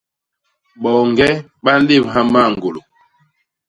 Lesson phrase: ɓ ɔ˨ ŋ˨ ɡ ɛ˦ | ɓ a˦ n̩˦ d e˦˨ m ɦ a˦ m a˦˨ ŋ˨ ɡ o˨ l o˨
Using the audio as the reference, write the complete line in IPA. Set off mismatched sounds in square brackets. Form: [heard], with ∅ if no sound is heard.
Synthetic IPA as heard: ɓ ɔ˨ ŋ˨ ɡ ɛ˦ | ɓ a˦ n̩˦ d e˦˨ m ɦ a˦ m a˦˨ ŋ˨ ɡ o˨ l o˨

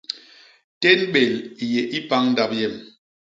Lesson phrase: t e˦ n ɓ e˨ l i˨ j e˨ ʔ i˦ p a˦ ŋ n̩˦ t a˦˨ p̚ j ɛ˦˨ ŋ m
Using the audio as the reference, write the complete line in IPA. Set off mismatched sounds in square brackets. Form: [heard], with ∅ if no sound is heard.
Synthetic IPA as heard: t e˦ n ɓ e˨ l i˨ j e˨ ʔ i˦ p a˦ ŋ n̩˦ [d] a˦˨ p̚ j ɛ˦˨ [∅] m

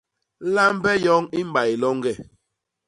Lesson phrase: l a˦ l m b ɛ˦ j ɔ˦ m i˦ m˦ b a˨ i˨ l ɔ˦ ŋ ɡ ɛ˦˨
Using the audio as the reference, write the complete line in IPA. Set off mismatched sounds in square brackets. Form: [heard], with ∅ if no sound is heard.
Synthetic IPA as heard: l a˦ [∅] m b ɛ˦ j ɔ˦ [ŋ] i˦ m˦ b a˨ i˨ l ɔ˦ ŋ ɡ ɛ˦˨

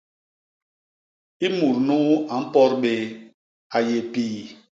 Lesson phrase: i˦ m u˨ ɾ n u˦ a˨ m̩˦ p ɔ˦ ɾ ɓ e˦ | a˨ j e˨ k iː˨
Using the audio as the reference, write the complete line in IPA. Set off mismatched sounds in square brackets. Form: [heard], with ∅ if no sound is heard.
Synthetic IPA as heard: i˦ m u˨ ɾ n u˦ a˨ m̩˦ p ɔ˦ ɾ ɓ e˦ | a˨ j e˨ [p] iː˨

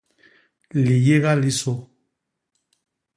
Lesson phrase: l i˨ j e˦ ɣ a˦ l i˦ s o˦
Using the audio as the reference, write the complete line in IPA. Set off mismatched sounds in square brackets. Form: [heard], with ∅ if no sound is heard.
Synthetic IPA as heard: l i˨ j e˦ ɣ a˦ l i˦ s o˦

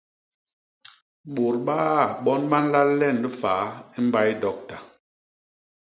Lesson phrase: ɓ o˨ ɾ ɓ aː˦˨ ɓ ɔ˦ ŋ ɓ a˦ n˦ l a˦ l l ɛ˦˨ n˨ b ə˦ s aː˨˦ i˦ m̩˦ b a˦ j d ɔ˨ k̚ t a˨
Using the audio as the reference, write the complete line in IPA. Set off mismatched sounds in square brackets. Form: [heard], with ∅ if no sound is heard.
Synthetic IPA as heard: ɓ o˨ ɾ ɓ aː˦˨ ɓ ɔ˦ [n] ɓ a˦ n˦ l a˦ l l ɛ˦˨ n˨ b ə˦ [f] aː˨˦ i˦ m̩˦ b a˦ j d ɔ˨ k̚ t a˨

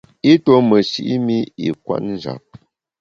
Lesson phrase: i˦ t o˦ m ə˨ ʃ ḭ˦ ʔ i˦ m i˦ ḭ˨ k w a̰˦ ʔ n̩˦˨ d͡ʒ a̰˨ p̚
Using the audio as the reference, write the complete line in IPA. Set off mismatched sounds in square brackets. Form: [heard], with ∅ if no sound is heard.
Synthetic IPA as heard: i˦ t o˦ m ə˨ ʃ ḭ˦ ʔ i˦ m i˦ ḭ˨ k w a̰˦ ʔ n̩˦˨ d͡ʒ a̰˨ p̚

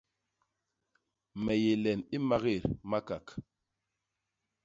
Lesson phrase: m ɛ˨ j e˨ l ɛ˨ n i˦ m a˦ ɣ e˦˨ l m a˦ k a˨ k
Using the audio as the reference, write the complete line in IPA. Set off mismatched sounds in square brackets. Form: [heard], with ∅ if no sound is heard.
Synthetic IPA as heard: m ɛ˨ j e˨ l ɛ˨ n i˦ m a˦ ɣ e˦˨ [ɾ] m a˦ k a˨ k

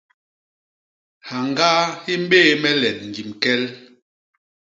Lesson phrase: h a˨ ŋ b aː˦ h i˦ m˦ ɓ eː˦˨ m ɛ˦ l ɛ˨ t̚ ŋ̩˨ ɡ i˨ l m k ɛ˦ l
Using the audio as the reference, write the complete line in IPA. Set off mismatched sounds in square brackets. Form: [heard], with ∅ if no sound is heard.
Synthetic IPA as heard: h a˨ ŋ [ɡ] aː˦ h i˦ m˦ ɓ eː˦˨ m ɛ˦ l ɛ˨ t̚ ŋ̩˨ ɡ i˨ [∅] m k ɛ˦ l

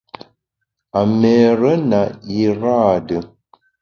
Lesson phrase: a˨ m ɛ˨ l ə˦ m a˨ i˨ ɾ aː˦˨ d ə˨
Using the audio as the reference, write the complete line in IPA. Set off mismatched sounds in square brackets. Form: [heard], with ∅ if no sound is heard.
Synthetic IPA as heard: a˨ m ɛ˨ [ɾ] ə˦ [n] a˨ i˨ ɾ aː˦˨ d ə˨

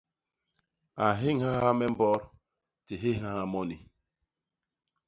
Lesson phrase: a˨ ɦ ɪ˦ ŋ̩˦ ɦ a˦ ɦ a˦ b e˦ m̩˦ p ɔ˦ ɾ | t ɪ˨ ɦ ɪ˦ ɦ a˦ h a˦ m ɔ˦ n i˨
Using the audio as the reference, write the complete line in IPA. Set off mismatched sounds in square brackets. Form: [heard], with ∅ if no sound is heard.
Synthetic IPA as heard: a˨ ɦ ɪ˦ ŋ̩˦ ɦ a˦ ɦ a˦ [m] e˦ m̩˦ [b] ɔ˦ ɾ | t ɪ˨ ɦ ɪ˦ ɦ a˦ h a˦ m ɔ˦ n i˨

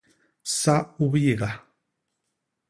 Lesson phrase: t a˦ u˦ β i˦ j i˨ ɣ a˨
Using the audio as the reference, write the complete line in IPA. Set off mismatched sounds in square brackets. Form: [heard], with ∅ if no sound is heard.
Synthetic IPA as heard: [s] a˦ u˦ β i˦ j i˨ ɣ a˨

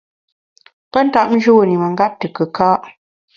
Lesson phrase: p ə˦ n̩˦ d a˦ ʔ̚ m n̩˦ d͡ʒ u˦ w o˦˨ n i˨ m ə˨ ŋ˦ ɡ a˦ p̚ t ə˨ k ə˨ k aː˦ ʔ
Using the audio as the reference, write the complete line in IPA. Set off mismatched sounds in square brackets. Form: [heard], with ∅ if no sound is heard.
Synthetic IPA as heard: p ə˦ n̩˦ [t] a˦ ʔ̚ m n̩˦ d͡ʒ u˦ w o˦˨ n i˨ m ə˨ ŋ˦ ɡ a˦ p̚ t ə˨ k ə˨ k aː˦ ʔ

